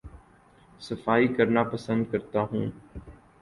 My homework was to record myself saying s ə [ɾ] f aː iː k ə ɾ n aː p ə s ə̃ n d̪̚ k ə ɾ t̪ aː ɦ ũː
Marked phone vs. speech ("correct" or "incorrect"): incorrect